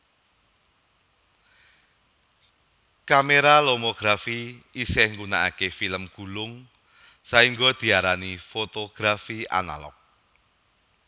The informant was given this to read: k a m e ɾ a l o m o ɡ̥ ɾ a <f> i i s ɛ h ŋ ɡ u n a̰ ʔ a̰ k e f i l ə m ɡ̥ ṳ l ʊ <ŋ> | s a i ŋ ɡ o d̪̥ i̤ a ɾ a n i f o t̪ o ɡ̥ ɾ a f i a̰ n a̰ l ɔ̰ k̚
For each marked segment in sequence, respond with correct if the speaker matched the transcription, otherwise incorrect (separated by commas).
correct, correct